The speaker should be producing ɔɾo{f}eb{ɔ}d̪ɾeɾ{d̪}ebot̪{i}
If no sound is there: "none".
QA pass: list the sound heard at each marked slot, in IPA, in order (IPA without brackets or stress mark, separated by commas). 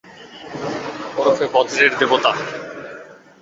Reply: f, ɔ, d̪, a